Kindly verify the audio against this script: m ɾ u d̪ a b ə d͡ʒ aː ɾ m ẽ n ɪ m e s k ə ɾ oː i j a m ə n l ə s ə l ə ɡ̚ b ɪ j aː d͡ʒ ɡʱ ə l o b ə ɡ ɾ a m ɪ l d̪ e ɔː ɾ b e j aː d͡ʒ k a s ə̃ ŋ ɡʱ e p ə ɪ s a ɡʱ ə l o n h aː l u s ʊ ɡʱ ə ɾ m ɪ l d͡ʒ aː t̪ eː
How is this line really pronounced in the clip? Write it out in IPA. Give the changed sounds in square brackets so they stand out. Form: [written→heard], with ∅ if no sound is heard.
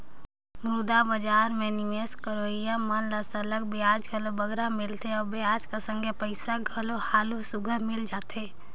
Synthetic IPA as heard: m ɾ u d̪ a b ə d͡ʒ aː ɾ m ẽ n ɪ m e s k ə ɾ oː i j a m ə n l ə s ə l ə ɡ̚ b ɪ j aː d͡ʒ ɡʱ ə l o b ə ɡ ɾ a m ɪ l [d̪→t̪] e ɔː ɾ b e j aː d͡ʒ k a s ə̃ ŋ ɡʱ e p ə ɪ s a ɡʱ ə l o [n→∅] h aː l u s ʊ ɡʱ ə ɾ m ɪ l d͡ʒ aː t̪ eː